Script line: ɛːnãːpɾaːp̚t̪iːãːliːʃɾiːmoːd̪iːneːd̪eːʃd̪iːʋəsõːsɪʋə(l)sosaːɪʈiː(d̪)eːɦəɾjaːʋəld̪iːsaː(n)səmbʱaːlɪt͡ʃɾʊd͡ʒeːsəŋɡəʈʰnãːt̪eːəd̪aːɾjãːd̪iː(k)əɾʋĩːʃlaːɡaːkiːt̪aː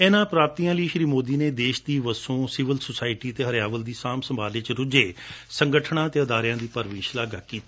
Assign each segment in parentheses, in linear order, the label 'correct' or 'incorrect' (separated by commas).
correct, incorrect, incorrect, incorrect